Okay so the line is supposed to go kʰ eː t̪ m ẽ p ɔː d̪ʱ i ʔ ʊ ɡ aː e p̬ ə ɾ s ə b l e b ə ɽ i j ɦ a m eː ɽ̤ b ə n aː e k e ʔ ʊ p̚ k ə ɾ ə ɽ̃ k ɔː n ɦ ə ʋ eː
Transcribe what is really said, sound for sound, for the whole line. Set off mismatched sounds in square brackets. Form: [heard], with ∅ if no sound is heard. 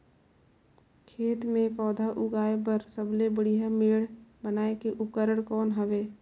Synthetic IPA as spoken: kʰ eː t̪ m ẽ p ɔː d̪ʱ [a] ʔ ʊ ɡ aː e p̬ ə ɾ s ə b l e b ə ɽ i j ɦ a m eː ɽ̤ b ə n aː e k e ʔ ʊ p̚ k ə ɾ ə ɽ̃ k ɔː n ɦ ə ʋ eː

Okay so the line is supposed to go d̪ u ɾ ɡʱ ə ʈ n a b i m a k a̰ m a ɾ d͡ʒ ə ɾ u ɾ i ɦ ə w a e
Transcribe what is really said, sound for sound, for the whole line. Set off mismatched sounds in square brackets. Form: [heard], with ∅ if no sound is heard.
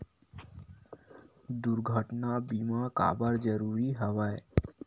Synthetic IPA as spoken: d̪ u ɾ ɡʱ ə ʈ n a b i m a k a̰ [b] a ɾ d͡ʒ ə ɾ u ɾ i ɦ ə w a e

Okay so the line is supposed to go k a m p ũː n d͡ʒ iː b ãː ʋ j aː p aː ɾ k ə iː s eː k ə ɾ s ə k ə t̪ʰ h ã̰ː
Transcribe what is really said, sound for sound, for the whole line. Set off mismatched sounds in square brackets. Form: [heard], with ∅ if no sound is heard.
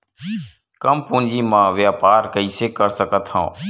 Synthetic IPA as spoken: k [ə] m p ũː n d͡ʒ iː [m] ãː ʋ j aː p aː ɾ k ə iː s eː k ə ɾ s ə k ə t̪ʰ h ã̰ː

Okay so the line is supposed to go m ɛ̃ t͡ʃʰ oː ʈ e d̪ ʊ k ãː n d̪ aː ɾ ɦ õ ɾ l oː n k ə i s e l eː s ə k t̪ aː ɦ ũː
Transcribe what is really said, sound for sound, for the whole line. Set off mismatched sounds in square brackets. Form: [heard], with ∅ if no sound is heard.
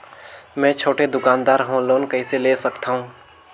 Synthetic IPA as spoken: m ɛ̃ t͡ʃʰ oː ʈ e d̪ ʊ k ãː n d̪ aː ɾ ɦ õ [∅] l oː n k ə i s e l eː s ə k t̪ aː ɦ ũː

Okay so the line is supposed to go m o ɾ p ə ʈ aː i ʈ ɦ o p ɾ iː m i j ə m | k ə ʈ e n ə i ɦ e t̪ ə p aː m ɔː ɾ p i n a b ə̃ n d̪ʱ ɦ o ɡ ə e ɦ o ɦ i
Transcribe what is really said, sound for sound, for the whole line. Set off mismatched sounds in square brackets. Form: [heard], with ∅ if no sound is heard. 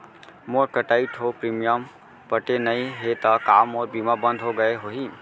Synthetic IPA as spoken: m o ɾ [k] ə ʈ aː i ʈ ɦ o p ɾ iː m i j ə m | [p] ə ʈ e n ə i ɦ e t̪ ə [k] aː m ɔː ɾ [b] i [m] a b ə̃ n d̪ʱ ɦ o ɡ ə e ɦ o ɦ i

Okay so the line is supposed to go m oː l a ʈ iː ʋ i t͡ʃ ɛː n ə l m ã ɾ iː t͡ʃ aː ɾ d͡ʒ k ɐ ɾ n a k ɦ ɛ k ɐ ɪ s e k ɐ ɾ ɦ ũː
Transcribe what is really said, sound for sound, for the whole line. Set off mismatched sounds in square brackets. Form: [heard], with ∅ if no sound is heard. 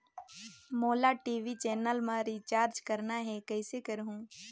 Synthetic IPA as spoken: m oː l a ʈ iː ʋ i t͡ʃ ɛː n ə l m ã ɾ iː t͡ʃ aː ɾ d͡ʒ k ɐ ɾ n a [∅] ɦ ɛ k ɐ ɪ s e k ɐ ɾ ɦ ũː

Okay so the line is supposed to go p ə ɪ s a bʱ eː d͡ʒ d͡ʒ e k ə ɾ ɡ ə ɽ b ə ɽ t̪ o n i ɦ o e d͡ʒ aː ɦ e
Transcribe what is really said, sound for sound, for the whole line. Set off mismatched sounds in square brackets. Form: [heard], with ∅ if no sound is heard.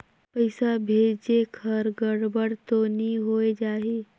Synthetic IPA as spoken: p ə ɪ s a bʱ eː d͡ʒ d͡ʒ e [kʰ] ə ɾ ɡ ə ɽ b ə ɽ t̪ o n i ɦ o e d͡ʒ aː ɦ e

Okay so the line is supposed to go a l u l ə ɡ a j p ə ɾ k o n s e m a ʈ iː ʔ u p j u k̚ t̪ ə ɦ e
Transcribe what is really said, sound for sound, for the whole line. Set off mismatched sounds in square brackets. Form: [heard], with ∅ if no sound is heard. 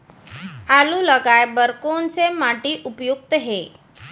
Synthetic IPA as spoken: a l u l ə ɡ a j [b] ə ɾ k o n [t͡s] e m a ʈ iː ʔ u p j u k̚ t̪ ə ɦ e

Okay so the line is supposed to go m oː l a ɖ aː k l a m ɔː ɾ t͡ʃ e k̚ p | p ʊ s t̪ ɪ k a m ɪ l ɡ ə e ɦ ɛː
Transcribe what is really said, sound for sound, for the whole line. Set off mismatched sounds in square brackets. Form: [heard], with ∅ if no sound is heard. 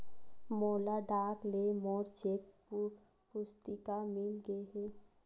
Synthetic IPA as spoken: m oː l a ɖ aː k l [e] m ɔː ɾ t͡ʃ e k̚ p | p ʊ s t̪ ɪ k a m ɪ l ɡ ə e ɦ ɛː

